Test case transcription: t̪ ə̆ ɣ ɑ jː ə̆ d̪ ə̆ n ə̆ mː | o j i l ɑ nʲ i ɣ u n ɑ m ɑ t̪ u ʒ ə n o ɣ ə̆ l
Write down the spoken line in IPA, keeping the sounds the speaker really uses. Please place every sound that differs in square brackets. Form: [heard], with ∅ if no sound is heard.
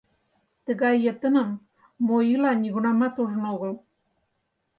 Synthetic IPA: t̪ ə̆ ɣ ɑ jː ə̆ [t̪] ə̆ n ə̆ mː | o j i l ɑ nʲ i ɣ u n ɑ m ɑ t̪ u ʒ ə n o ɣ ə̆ l